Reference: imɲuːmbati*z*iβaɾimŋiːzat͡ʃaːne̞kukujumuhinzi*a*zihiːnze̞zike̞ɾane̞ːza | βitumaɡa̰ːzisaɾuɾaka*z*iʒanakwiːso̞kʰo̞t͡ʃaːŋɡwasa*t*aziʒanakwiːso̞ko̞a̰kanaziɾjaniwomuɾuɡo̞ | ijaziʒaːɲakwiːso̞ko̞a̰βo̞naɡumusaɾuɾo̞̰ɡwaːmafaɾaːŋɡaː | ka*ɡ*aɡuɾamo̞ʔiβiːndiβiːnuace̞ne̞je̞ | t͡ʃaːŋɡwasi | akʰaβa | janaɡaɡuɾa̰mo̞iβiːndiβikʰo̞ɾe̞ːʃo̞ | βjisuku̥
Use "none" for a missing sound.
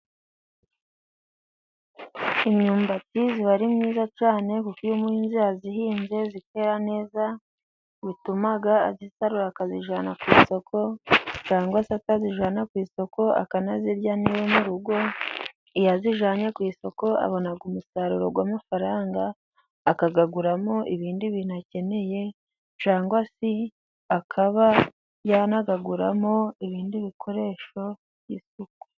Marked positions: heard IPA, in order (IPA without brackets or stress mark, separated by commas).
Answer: z, a, z, t, ɡ